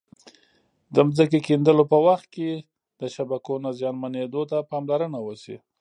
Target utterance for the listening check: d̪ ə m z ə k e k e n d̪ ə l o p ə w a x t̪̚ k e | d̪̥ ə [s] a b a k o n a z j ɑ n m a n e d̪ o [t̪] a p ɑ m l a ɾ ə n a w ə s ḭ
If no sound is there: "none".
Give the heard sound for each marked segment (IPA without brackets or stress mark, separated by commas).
ʃ, t̪